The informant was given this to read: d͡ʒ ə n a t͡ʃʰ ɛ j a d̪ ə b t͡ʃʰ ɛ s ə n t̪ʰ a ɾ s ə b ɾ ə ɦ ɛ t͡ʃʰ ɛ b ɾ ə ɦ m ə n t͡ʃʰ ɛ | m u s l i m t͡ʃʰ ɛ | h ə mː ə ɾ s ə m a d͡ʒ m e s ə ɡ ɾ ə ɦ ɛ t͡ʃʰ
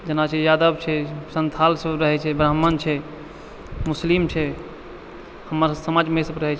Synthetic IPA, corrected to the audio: d͡ʒ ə n a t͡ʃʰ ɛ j a d̪ ə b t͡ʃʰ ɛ s ə n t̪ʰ a l s ə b ɾ ə ɦ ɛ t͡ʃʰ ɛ b ɾ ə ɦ m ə n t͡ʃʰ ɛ | m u s l i m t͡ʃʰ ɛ | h ə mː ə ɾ s ə m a d͡ʒ m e s ə b ɾ ə ɦ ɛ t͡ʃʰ